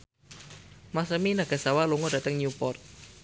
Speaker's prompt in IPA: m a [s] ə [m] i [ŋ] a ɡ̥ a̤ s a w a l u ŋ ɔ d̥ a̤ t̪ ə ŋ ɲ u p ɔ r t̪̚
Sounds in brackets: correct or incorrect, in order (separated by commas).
correct, correct, incorrect